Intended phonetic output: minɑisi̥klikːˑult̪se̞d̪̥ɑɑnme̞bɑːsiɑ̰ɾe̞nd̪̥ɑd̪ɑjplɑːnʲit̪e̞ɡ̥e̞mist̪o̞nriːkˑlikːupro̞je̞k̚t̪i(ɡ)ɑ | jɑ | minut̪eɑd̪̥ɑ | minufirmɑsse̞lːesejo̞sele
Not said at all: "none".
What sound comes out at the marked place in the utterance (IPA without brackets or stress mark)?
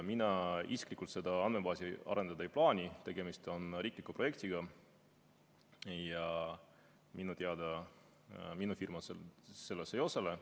ɡ